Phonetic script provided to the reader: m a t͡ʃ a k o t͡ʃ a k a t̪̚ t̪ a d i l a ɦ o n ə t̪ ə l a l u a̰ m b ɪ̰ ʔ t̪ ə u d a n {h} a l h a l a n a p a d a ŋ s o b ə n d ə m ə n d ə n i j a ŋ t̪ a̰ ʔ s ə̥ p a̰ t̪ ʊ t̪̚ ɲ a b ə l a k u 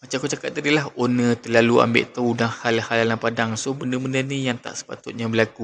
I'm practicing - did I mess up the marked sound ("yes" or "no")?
no